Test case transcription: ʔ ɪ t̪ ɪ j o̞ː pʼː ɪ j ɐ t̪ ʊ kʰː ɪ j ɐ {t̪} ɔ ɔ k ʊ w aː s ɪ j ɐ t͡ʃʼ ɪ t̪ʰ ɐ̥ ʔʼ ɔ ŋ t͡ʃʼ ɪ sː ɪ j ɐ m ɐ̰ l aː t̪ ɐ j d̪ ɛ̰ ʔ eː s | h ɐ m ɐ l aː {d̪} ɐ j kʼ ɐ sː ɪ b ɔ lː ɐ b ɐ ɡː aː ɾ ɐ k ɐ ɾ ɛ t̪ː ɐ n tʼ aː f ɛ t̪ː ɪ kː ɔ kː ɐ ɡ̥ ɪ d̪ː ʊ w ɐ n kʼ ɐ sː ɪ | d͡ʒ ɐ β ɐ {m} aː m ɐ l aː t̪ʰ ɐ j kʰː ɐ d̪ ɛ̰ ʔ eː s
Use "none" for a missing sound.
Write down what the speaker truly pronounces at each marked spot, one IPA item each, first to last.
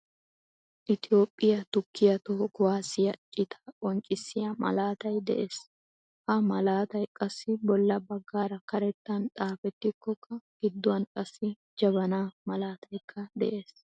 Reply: t̪, t̪, n

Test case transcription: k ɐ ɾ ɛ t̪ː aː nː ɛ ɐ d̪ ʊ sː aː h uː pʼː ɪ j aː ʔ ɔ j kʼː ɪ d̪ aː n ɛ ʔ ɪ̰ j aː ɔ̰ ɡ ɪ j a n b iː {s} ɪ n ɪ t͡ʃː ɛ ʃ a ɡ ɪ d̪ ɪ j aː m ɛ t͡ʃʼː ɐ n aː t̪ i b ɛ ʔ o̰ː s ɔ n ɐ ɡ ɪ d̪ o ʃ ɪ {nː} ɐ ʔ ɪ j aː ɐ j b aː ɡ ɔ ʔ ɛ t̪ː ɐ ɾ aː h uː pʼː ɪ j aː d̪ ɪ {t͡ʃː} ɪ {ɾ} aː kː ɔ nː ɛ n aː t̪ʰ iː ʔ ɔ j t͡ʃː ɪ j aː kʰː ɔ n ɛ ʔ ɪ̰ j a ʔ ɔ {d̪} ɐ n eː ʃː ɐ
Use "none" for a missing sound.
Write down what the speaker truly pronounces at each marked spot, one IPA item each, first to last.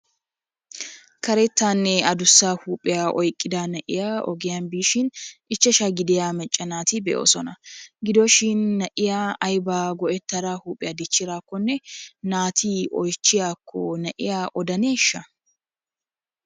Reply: ʃ, nː, t͡ʃː, ɾ, d̪

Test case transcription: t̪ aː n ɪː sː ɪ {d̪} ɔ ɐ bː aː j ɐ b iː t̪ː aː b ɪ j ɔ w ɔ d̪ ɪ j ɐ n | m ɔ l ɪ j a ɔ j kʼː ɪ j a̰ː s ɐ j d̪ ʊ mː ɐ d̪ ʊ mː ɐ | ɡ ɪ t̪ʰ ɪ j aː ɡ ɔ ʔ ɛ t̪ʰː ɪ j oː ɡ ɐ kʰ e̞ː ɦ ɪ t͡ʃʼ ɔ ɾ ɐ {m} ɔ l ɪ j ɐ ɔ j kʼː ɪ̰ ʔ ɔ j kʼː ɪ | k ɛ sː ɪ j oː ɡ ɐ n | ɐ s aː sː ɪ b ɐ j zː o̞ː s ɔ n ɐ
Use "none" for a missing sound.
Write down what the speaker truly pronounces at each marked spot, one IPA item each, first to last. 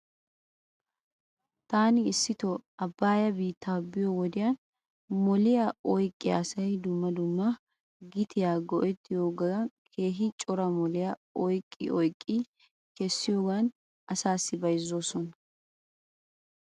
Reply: t̪, m

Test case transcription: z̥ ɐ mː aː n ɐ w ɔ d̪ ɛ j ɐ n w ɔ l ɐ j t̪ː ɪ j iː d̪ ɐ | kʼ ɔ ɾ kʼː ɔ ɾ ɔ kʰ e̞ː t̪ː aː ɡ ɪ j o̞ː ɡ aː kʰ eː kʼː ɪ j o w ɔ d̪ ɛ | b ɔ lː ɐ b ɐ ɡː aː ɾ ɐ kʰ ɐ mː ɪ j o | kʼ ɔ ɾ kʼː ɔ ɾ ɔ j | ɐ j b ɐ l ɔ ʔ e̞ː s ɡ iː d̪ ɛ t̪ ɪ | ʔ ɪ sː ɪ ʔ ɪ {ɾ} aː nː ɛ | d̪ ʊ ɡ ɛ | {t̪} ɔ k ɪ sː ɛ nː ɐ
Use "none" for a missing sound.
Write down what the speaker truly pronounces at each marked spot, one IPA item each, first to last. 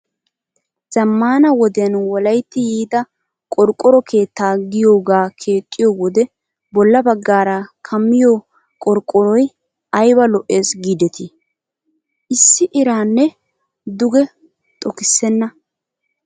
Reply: ɾ, t̪ʼ

